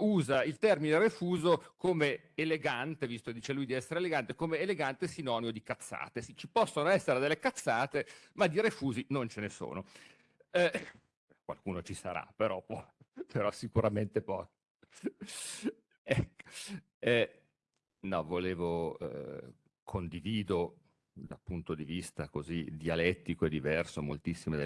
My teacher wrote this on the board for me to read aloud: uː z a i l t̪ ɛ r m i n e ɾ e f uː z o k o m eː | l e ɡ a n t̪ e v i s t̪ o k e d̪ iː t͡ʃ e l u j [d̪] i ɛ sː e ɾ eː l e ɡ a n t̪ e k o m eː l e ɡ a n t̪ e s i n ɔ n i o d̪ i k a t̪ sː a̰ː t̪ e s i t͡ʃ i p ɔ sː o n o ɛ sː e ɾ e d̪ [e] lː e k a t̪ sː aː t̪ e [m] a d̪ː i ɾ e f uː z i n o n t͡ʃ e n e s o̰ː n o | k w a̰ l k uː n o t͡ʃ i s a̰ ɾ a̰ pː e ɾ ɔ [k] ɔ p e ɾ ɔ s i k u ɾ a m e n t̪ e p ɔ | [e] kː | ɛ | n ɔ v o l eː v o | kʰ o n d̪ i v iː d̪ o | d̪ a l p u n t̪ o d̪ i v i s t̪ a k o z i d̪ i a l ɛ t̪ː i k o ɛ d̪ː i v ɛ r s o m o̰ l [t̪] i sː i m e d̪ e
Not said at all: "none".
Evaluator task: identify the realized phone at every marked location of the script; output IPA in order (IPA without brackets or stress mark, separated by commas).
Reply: d̪, e, m, p, ɛ, t̪